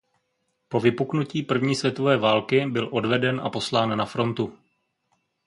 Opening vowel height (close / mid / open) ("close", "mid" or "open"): mid